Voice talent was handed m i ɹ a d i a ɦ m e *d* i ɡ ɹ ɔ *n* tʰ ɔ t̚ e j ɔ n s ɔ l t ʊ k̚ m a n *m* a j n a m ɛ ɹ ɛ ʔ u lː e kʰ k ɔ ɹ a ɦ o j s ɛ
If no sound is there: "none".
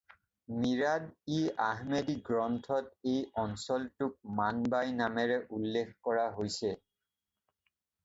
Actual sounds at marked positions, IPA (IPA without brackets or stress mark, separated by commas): d, n, b